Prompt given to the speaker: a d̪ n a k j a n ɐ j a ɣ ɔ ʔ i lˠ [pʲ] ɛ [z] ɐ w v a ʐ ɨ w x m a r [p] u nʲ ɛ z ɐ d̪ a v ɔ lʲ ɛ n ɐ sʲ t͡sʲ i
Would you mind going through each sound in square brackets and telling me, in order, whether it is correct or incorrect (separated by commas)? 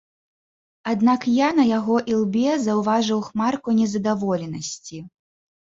incorrect, correct, incorrect